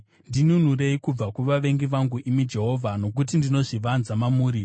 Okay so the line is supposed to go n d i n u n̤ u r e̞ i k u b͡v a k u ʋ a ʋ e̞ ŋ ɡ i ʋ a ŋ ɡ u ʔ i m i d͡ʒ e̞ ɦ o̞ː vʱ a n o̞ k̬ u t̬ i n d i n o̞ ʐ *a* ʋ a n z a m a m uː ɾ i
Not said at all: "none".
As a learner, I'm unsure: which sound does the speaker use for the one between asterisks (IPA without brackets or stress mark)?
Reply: i